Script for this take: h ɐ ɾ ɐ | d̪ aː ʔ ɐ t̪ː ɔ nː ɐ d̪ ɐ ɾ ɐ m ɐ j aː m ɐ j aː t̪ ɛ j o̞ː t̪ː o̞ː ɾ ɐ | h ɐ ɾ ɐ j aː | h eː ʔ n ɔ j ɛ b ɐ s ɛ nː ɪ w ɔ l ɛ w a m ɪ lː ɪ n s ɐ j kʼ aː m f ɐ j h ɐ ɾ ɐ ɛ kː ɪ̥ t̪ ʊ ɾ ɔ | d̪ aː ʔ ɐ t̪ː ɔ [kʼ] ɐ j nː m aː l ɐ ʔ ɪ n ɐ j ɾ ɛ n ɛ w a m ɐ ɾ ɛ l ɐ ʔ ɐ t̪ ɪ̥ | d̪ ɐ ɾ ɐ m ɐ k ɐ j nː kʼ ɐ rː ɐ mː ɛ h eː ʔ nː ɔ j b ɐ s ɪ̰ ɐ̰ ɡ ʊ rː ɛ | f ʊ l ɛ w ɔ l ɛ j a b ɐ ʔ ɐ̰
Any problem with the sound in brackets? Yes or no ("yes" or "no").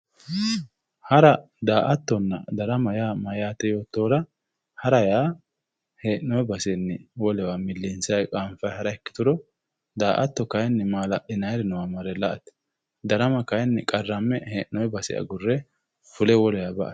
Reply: yes